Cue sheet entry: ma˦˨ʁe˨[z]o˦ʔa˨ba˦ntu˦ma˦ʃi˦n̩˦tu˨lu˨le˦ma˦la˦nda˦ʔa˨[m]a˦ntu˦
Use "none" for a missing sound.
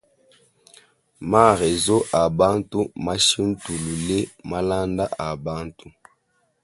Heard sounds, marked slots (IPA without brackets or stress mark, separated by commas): z, b